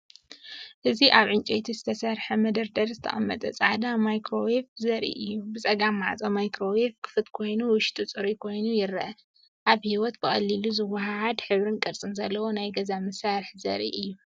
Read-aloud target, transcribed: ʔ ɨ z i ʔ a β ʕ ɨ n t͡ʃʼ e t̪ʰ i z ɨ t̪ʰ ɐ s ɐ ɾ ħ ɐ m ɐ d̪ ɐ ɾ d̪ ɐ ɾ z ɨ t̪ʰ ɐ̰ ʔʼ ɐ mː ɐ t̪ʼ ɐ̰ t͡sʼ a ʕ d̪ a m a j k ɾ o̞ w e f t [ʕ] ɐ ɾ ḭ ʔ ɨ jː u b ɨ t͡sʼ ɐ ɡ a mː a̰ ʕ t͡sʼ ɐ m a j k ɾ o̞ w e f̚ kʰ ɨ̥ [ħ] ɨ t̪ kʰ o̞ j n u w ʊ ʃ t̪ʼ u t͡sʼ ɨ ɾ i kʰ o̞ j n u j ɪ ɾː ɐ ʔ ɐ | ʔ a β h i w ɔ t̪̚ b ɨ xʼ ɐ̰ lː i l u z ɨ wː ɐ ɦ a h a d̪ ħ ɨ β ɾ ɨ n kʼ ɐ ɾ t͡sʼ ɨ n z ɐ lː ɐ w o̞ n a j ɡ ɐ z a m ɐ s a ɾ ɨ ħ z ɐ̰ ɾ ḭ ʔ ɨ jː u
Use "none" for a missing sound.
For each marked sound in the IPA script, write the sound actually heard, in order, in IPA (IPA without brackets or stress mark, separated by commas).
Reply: z, f